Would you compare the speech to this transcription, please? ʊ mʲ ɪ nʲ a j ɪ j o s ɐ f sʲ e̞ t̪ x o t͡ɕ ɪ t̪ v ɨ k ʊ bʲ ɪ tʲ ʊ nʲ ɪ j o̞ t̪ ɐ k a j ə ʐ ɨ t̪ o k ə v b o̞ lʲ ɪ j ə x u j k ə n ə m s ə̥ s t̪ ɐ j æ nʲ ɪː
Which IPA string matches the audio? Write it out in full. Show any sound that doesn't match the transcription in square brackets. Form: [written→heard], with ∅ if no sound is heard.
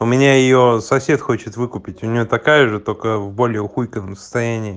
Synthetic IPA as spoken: ʊ mʲ ɪ nʲ a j ɪ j o s ɐ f sʲ e̞ t̪ x o t͡ɕ ɪ t̪ v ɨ k ʊ [bʲ→pʲ] ɪ tʲ ʊ nʲ ɪ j o̞ t̪ ɐ k a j ə ʐ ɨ t̪ o k ə v b o̞ lʲ ɪ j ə x u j k ə n ə m s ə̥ s t̪ ɐ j æ nʲ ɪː